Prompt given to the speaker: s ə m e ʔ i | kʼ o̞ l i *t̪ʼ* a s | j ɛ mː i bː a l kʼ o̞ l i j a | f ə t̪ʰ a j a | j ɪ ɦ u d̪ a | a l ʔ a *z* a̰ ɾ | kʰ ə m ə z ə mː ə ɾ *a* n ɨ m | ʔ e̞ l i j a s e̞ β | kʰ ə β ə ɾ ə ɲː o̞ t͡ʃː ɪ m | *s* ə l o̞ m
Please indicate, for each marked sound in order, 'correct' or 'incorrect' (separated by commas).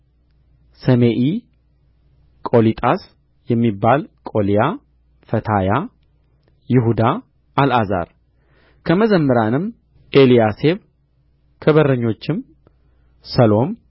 correct, correct, correct, correct